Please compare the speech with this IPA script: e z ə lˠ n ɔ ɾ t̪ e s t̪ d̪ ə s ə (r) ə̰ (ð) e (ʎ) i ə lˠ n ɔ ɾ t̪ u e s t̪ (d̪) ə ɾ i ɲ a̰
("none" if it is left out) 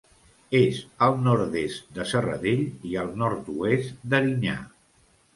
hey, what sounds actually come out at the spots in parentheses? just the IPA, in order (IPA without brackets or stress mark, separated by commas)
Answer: r, ð, ʎ, d̪